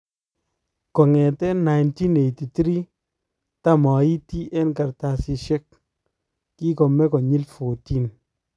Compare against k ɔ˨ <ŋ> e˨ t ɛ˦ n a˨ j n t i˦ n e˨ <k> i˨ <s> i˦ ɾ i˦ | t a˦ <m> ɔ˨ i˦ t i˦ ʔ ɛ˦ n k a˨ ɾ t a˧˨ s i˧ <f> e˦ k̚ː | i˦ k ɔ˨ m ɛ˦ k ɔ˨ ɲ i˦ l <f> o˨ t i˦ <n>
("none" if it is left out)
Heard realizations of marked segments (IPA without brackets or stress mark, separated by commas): ŋ, t, t, m, ʃ, f, n